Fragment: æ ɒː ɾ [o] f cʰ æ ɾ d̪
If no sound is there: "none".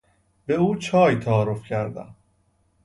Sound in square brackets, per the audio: o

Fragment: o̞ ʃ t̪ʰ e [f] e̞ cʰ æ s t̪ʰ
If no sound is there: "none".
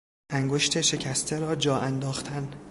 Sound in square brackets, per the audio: ʃ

